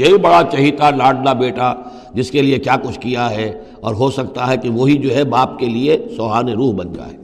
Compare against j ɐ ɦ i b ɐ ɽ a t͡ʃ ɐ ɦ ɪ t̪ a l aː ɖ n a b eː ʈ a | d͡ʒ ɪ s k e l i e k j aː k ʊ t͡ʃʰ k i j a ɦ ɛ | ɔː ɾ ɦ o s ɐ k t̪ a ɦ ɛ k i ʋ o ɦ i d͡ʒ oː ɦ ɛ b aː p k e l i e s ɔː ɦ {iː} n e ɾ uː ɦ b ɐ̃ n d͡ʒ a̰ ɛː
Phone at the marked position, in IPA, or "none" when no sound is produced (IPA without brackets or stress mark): aː